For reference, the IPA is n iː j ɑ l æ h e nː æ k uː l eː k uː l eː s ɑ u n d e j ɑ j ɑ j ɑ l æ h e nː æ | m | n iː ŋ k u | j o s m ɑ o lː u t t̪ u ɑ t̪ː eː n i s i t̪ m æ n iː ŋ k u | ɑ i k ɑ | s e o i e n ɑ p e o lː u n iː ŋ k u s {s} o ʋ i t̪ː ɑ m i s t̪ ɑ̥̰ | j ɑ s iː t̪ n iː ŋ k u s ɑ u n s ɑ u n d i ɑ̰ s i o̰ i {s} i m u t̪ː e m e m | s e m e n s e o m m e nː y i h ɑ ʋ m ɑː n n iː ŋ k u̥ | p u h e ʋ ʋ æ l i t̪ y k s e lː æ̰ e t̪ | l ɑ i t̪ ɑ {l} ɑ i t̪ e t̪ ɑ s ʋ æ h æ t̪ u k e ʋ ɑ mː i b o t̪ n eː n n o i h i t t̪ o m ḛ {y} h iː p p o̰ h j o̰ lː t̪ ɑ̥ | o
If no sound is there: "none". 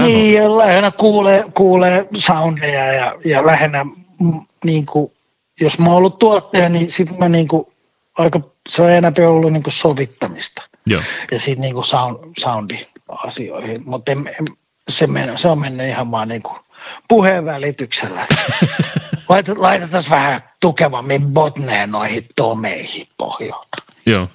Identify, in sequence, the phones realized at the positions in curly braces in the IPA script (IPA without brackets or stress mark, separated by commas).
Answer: s, h, l, i